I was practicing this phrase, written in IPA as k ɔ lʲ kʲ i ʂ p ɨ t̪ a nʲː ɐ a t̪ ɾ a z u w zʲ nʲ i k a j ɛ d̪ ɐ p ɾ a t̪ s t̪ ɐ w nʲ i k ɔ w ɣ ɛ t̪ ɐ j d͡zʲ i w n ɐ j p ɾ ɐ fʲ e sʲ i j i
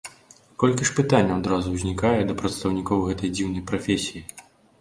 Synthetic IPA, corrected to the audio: k ɔ lʲ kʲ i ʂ p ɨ t̪ a nʲː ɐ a d̪ ɾ a z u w zʲ nʲ i k a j ɛ d̪ ɐ p ɾ ɐ t̪ s t̪ ɐ w nʲ i k ɔ w ɣ ɛ t̪ ɐ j d͡zʲ i w n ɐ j p ɾ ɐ fʲ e sʲ i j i